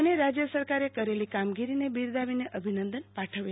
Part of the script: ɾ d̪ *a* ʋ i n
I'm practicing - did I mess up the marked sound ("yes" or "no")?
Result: no